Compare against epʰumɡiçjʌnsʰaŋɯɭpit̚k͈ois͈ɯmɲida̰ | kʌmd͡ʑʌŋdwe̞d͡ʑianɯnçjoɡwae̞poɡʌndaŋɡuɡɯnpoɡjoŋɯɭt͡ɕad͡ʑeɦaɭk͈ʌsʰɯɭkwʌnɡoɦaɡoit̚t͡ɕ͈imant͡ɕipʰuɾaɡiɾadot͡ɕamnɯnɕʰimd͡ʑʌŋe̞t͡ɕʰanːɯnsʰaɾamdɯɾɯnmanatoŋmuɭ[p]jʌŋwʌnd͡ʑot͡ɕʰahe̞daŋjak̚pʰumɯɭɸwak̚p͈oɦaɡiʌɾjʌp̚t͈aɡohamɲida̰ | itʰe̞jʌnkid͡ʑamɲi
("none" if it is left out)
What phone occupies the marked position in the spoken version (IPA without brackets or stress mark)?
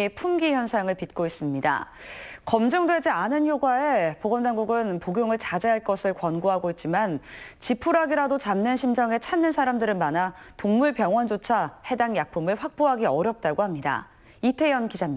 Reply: p